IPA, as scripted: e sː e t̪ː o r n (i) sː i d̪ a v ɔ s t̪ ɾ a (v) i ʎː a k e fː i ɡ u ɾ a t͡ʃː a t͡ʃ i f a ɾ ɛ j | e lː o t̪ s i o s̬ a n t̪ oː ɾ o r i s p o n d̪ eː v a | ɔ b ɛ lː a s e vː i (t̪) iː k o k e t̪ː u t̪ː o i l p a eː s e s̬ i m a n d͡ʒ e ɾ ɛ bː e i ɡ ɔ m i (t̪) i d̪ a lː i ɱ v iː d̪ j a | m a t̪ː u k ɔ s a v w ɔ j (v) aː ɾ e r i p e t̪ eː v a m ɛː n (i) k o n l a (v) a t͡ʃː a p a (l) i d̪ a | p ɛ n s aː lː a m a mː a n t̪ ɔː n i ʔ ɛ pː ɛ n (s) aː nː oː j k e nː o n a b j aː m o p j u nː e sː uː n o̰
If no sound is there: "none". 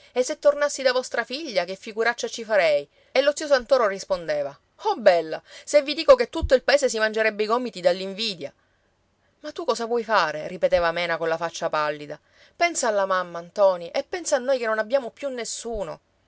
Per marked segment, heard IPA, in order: a, f, d̪, t̪, f, a, f, lː, s

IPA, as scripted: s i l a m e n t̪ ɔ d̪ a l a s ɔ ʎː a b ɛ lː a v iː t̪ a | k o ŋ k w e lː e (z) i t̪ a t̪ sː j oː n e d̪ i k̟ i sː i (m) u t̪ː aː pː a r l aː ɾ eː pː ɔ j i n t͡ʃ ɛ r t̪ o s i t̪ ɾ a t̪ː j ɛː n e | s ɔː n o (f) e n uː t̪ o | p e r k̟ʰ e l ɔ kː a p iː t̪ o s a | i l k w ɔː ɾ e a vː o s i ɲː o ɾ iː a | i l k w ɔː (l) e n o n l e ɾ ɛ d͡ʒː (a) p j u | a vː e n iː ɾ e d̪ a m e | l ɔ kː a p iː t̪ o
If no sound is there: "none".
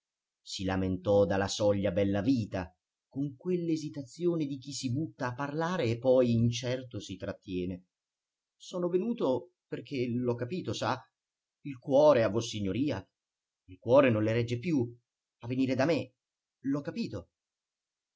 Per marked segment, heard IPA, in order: z, b, v, ɾ, e

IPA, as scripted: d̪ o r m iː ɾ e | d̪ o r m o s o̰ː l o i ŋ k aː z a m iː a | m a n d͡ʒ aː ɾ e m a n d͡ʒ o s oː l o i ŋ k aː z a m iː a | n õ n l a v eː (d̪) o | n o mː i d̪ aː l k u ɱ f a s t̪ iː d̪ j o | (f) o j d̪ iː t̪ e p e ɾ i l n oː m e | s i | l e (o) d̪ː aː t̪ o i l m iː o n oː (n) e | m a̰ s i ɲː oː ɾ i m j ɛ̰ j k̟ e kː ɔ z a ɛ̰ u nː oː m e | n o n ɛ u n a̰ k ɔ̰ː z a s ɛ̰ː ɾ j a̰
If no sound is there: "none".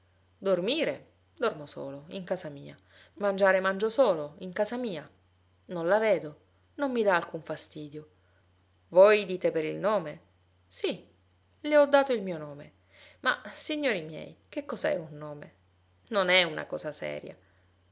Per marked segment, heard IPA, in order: d̪, v, ɔ, m

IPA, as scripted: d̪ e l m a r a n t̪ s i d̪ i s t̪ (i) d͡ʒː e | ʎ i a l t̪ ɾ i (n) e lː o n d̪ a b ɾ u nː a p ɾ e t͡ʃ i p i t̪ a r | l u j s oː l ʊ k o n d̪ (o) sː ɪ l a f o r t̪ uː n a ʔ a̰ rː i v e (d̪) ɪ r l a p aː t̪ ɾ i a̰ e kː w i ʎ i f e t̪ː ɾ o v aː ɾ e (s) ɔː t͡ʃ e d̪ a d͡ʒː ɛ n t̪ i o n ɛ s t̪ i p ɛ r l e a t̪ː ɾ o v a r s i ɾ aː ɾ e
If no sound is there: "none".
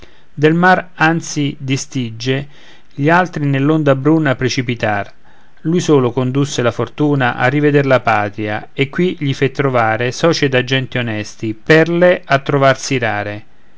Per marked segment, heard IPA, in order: i, n, u, d̪, s

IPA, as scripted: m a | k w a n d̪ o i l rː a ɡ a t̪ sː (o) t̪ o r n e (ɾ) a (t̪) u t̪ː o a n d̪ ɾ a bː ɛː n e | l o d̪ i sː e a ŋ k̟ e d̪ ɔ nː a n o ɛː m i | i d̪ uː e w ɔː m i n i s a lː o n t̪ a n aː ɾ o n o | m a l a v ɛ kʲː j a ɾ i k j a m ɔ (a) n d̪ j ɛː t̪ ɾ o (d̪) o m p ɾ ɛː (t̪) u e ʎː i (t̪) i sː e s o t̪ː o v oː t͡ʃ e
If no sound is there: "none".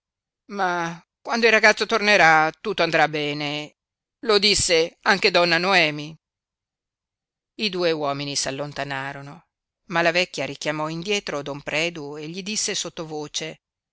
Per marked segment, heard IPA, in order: o, ɾ, t̪, i, d̪, d̪, d̪

